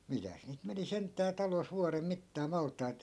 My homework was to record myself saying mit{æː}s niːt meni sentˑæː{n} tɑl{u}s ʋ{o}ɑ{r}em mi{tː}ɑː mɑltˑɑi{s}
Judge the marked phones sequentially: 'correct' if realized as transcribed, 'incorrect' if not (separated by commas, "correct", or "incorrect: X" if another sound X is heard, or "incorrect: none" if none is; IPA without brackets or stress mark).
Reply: incorrect: æ, incorrect: none, incorrect: o, incorrect: u, correct, correct, incorrect: t